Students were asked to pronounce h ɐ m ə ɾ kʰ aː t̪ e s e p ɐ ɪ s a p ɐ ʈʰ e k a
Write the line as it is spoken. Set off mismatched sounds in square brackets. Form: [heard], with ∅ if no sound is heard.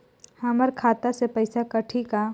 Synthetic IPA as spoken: h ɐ m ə ɾ kʰ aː t̪ [a] s e p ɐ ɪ s a [k] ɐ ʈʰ [i] k a

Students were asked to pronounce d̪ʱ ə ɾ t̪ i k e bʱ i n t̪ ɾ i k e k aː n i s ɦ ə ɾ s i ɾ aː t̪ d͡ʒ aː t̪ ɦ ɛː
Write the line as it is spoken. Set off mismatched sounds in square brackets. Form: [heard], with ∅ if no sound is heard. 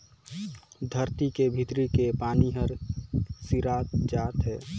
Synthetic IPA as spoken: d̪ʱ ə ɾ t̪ i k e bʱ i [∅] t̪ ɾ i k e [p] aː n i [∅] ɦ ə ɾ s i ɾ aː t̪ d͡ʒ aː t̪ ɦ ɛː

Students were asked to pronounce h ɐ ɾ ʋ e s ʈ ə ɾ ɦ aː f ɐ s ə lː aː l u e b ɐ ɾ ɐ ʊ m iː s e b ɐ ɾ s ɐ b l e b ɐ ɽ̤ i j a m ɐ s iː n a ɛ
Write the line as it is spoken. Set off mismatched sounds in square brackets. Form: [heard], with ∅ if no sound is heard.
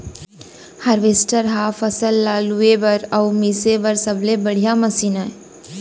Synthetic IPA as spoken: h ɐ ɾ ʋ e s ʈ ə ɾ ɦ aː f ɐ s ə lː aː l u e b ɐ ɾ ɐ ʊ m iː s e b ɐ ɾ s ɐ b l e b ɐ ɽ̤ i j a m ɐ s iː n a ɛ

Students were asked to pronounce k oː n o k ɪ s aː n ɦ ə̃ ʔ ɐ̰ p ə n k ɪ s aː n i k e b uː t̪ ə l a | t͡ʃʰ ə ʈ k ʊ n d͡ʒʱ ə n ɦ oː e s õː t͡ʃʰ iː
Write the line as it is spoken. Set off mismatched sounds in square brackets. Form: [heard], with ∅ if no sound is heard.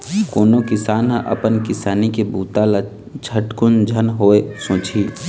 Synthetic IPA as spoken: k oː n o k ɪ s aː n ɦ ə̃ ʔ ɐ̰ p ə n k ɪ s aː n i k e b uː t̪ [a] l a | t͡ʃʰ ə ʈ k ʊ n d͡ʒʱ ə n ɦ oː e s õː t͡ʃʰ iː

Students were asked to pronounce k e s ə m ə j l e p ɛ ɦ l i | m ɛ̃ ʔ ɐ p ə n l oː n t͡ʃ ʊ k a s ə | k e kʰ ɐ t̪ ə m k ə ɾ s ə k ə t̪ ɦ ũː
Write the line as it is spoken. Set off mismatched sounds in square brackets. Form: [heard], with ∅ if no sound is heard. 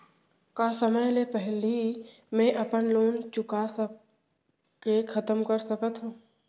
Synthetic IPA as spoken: k [a] s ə m ə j l e p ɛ ɦ l i | m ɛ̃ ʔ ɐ p ə n l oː n t͡ʃ ʊ k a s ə | k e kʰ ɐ t̪ ə m k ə ɾ s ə k ə t̪ ɦ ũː

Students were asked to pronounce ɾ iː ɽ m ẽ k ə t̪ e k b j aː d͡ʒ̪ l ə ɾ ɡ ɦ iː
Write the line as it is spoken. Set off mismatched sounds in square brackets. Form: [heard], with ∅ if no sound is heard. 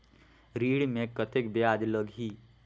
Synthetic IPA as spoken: ɾ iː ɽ m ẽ k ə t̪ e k b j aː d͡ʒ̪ l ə [∅] ɡ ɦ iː

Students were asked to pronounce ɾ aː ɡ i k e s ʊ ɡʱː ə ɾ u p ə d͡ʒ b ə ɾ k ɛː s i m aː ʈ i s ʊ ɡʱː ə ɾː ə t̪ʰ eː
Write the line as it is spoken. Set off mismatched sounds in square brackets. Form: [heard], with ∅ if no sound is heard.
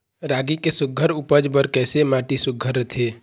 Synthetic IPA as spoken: ɾ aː ɡ i k e s ʊ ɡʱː ə ɾ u p ə d͡ʒ b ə ɾ k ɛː s [e] m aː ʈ i s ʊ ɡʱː ə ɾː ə t̪ʰ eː

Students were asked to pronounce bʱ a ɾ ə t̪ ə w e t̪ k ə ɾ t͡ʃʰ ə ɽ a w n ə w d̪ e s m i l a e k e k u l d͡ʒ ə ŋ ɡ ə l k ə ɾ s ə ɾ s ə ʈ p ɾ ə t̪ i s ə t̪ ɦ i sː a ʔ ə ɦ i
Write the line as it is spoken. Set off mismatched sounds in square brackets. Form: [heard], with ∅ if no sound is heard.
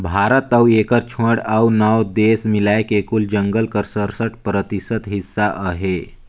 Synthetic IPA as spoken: bʱ a ɾ ə t̪ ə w e [∅] k ə ɾ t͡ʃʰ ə ɽ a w n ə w d̪ e s m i l a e k e k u l d͡ʒ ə ŋ ɡ ə l k ə ɾ s ə ɾ s ə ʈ p ɾ ə t̪ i s ə t̪ ɦ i sː a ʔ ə ɦ [e]

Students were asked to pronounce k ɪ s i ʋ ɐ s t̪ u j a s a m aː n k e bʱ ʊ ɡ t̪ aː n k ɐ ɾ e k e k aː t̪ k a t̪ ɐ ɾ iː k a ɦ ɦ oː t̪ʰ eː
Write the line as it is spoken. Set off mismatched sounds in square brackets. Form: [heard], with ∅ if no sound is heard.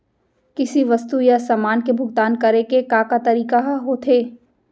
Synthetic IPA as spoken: k ɪ s i ʋ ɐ s t̪ u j a s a m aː n k e bʱ ʊ ɡ t̪ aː n k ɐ ɾ e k e k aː [∅] k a t̪ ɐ ɾ iː k a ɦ ɦ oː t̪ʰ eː

